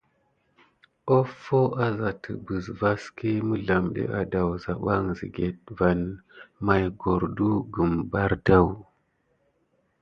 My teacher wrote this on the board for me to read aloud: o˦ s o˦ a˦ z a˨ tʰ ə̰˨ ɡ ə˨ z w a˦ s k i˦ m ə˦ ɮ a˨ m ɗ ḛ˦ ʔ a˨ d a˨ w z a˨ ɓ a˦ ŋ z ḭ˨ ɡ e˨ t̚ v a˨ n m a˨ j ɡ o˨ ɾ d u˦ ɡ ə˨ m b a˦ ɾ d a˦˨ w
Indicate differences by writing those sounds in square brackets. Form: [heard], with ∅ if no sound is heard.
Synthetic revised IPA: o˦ [f] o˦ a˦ z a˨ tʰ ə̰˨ [b] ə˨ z [v] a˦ s k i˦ m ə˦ ɮ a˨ m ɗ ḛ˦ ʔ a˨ d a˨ w z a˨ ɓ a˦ ŋ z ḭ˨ ɡ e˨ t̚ v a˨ n m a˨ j ɡ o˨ ɾ d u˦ ɡ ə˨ m b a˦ ɾ d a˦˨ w

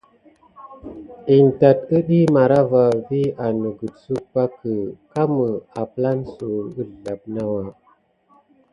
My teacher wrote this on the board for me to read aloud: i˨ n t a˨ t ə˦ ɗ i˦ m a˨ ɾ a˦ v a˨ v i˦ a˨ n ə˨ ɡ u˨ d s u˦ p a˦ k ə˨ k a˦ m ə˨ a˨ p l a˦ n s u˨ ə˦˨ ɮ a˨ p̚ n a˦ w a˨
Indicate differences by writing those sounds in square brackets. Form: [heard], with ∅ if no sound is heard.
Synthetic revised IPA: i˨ n t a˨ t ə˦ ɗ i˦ m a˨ ɾ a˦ v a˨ v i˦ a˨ n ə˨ ɡ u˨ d s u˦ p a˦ k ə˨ k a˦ m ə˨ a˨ p l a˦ n s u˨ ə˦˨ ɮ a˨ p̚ n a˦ w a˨

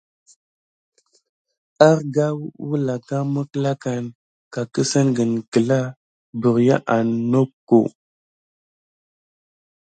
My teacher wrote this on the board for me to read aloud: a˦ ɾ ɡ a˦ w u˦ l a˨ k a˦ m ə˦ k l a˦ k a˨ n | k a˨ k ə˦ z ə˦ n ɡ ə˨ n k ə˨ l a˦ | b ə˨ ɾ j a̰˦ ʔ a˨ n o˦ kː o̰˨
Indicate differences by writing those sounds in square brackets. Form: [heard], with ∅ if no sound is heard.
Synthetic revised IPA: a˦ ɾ ɡ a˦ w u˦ l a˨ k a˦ m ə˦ k l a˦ k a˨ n | k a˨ k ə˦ [s] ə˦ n ɡ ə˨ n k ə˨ l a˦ | b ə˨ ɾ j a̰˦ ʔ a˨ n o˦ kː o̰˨

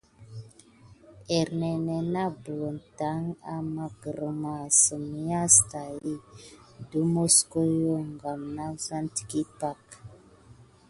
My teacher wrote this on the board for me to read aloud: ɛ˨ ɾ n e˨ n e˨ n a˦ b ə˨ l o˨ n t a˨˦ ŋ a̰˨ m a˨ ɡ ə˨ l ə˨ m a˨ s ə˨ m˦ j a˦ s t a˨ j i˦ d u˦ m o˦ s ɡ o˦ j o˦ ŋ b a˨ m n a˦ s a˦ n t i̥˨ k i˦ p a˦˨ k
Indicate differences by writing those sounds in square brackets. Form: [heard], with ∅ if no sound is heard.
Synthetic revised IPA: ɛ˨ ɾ n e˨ n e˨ n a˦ b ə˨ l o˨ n t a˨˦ ŋ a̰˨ m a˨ ɡ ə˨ [ɾ] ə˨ m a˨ s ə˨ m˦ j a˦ s t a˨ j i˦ d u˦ m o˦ s [k] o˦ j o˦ ŋ [ɡ] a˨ m n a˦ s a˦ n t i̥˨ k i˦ p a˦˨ k

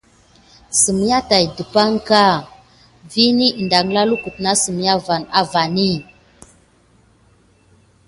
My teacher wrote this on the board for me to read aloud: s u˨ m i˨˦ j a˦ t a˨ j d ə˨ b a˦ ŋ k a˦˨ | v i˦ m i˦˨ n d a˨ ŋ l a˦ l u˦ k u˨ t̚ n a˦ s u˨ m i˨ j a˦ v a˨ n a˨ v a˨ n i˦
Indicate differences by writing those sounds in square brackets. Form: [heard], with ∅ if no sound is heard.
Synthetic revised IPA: s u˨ m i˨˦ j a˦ t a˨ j d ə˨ [p] a˦ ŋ k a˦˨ | v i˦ [n] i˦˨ n d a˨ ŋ l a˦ l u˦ k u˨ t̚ n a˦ s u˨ m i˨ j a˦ v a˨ n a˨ v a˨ n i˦

